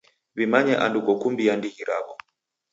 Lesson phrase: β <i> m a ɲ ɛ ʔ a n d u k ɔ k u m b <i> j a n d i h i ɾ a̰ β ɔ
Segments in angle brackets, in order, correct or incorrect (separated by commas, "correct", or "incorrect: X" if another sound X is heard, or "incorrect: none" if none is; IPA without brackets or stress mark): correct, correct